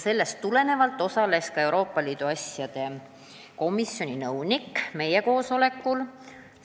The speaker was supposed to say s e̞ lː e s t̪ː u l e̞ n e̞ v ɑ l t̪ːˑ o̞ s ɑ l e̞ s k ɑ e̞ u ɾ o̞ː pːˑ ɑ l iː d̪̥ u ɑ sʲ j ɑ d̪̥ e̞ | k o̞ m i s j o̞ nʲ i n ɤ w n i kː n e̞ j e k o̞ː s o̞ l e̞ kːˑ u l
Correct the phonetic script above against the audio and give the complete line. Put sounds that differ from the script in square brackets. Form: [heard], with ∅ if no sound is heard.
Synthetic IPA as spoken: s e̞ lː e s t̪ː u l e̞ n e̞ v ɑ l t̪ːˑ o̞ s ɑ l e̞ s k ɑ e̞ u ɾ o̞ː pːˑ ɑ l iː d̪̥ u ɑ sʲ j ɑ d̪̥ e̞ | k o̞ m i s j o̞ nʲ i n ɤ w n i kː [m] e̞ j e k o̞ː s o̞ l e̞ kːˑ u l